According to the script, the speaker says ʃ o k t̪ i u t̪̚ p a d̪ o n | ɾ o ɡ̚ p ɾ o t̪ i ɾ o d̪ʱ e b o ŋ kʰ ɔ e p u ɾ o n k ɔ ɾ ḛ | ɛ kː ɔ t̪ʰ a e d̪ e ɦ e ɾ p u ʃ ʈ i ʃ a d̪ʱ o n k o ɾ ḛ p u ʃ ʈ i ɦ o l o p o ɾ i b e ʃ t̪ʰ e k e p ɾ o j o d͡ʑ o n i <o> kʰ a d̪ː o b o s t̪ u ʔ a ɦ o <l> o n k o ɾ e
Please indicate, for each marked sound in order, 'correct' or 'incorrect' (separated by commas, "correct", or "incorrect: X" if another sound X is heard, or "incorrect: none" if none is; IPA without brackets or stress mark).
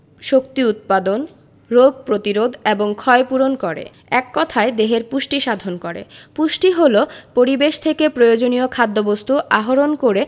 correct, incorrect: ɾ